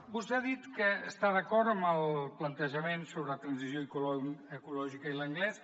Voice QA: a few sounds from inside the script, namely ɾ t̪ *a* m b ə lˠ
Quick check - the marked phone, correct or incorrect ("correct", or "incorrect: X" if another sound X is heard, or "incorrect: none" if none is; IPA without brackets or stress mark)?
incorrect: ə